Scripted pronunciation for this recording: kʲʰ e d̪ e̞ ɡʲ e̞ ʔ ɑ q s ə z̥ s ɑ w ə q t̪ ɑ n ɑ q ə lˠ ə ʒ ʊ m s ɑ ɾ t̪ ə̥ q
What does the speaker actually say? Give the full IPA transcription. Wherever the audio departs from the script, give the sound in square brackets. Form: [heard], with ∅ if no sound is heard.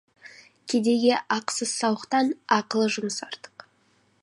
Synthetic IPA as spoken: kʲʰ e d̪ e̞ ɡʲ e̞ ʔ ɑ q s ə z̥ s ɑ w ə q t̪ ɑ n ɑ q ə lˠ ə ʒ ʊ m s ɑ ɾ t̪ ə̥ q

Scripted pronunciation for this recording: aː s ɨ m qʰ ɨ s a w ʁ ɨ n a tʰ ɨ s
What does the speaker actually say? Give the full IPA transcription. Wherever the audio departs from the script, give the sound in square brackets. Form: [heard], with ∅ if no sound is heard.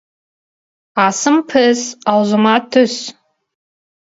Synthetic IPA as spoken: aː s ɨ m [pʰ] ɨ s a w [z] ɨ [m] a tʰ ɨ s

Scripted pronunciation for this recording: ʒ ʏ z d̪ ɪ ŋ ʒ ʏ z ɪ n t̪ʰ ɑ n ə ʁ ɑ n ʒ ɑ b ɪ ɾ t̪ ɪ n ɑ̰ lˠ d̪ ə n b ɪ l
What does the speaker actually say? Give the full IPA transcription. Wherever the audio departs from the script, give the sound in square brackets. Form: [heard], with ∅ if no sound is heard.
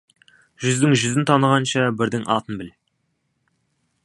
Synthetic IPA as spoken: ʒ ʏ z d̪ ɪ ŋ ʒ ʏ z ɪ n t̪ʰ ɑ n ə ʁ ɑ n [ʃ] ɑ b ɪ ɾ [d̪] ɪ [ŋ] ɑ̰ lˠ [t̪] ə n b ɪ l

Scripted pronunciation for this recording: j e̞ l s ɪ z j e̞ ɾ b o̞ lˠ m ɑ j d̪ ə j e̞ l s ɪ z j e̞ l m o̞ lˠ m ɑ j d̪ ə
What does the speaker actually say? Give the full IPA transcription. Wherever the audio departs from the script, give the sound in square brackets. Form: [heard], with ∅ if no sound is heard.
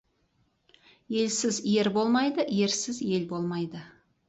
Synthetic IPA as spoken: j e̞ l s ɪ z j e̞ ɾ b o̞ lˠ m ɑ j d̪ ə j e̞ [ɾ] s ɪ z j e̞ l [b] o̞ lˠ m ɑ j d̪ ə

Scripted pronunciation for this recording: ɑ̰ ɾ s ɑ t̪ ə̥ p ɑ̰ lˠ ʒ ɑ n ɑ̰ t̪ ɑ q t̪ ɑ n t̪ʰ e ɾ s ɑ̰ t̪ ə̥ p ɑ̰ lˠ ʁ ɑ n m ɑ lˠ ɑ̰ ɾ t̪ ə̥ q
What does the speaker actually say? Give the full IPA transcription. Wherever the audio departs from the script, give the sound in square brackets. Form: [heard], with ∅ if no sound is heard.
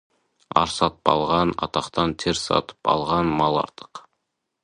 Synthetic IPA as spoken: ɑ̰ ɾ s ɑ t̪ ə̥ p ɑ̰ lˠ [ʁ] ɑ n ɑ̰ t̪ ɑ q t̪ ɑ n t̪ʰ e ɾ s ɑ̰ t̪ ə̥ p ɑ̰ lˠ ʁ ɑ n m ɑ lˠ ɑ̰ ɾ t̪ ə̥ q

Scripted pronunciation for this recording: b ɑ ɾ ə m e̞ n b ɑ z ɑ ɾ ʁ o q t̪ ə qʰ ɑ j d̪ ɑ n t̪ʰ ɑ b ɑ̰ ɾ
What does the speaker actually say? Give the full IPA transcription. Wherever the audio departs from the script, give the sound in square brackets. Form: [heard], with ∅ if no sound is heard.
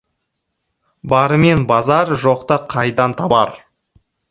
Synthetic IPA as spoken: b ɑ ɾ ə m e̞ n b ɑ z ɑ ɾ [ʒ] o q t̪ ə qʰ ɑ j d̪ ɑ n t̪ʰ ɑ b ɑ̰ ɾ

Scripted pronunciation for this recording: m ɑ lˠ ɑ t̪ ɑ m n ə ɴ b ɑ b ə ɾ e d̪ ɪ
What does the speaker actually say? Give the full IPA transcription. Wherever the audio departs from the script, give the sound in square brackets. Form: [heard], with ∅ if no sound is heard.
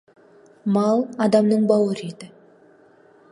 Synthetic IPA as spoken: m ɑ lˠ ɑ [d̪] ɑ m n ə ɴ b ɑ [w] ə ɾ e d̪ ɪ

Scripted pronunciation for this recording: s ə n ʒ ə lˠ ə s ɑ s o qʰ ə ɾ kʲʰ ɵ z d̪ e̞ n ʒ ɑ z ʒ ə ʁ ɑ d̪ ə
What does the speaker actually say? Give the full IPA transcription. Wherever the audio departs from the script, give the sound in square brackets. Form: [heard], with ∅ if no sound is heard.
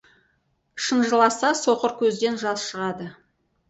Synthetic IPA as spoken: [ʃ] ə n ʒ ə lˠ [ɑ] s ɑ s o [q] ə ɾ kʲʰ ɵ z d̪ e̞ n ʒ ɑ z [ʃ] ə ʁ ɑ d̪ ə

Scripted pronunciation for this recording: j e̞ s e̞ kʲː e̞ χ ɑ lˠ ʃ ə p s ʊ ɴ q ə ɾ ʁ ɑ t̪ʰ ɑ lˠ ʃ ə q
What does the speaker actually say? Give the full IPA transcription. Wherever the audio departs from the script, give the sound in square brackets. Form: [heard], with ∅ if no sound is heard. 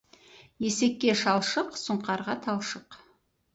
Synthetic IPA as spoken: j e̞ s e̞ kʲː e̞ [ʃ] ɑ lˠ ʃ ə [q] s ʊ ɴ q [ɑ] ɾ ʁ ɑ t̪ʰ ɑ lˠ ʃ ə q

